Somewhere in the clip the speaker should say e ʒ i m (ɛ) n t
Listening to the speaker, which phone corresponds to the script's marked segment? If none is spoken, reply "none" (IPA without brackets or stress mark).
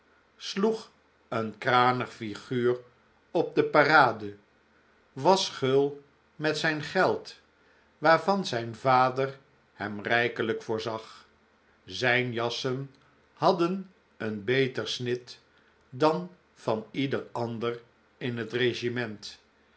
ɛ